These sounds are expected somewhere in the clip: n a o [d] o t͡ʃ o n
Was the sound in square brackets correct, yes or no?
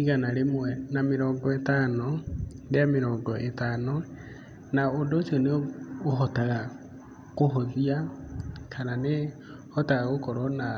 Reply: yes